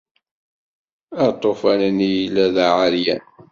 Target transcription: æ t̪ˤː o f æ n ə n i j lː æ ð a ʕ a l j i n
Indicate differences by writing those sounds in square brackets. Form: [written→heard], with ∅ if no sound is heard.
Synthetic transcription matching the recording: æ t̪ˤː o f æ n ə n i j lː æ ð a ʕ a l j [i→æ] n